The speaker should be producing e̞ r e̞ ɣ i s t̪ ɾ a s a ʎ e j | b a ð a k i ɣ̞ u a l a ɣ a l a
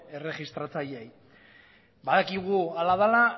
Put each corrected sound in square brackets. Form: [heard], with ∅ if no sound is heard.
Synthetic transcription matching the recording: e̞ r e̞ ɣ i s t̪ ɾ a [t͡s] a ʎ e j | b a ð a k i ɣ̞ u a l a [ð] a l a